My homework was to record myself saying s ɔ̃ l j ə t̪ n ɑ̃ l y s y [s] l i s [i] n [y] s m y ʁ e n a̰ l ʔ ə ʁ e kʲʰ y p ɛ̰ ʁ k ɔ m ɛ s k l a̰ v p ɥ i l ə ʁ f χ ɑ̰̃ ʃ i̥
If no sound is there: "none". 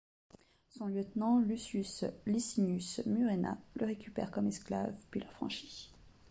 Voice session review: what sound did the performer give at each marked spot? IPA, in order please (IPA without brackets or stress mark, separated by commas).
s, i, y